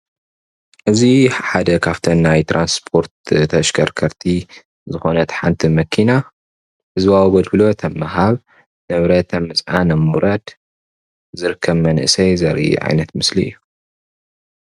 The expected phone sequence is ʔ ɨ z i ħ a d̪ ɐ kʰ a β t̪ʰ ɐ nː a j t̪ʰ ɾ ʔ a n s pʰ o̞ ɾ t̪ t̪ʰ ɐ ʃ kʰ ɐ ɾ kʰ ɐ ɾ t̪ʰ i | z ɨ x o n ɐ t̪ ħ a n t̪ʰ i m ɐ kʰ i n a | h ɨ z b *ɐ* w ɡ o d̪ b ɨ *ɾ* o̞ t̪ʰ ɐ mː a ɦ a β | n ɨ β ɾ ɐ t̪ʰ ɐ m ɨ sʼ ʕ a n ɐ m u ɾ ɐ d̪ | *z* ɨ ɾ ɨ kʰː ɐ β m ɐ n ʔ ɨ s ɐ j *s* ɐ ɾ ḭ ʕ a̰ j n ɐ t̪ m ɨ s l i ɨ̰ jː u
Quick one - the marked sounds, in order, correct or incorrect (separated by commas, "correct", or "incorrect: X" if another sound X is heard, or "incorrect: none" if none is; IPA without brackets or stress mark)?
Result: incorrect: a, incorrect: l, correct, incorrect: z